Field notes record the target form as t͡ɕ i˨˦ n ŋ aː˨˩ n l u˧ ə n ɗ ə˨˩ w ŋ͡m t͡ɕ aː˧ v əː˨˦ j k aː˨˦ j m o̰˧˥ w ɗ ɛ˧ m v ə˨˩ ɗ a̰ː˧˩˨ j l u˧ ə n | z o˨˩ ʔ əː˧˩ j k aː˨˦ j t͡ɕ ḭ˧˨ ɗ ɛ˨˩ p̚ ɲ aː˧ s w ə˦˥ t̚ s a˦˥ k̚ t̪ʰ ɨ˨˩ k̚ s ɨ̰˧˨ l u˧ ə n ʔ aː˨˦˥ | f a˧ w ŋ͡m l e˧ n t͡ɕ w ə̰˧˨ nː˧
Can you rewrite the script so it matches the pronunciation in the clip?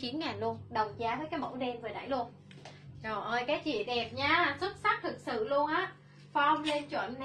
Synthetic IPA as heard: t͡ɕ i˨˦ n ŋ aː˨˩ n l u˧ ə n ɗ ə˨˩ w ŋ͡m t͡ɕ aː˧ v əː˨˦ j k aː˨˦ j m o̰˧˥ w ɗ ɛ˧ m v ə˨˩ ɗ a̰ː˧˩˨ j l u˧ ə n | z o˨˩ ʔ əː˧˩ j k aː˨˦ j t͡ɕ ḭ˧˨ ɗ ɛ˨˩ p̚ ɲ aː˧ s w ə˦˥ t̚ s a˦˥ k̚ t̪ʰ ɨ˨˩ k̚ s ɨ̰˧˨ l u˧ ə n ʔ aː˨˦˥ | f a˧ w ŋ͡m l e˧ n t͡ɕ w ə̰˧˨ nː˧